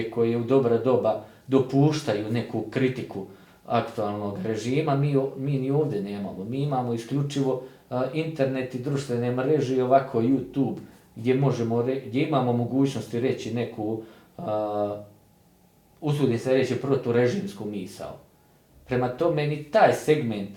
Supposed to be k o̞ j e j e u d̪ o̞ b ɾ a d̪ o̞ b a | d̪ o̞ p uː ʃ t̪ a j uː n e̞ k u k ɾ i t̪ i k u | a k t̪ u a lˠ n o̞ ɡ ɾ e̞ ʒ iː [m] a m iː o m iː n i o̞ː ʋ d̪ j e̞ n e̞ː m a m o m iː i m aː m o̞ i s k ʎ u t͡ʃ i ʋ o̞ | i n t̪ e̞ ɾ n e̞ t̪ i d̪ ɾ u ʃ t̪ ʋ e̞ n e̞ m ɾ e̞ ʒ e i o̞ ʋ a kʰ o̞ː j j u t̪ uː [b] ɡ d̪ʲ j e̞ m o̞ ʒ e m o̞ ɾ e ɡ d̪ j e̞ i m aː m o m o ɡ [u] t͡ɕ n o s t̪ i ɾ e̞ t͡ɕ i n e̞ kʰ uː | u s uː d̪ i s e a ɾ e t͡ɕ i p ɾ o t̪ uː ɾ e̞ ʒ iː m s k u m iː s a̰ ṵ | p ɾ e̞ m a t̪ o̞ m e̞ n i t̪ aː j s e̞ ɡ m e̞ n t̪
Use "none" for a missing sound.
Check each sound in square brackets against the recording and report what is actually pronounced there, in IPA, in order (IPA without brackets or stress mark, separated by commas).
m, b, uː